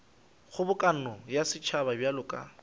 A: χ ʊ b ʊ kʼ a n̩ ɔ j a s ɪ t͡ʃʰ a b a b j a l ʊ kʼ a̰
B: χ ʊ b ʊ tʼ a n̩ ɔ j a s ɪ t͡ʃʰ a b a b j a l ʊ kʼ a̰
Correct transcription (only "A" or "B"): A